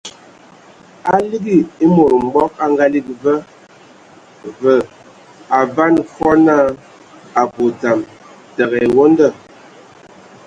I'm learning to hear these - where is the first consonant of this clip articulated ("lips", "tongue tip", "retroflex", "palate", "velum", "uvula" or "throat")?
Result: tongue tip